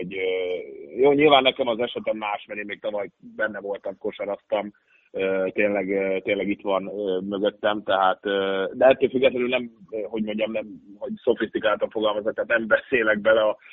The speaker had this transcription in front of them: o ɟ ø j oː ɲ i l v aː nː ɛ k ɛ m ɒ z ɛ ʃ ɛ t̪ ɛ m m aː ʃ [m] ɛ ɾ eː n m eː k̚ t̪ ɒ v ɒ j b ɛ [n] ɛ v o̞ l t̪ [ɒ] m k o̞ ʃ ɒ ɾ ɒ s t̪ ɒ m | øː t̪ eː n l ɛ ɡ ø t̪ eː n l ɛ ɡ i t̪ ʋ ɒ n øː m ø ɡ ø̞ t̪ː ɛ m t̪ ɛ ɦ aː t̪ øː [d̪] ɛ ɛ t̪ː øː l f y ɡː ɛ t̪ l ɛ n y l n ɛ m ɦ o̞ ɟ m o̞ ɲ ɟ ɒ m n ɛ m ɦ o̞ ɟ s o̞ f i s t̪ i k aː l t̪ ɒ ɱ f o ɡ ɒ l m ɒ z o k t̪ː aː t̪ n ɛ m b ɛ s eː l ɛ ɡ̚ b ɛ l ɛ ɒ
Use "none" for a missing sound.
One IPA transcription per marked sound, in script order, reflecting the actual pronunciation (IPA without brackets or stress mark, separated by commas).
m, nː, ɒ, d̪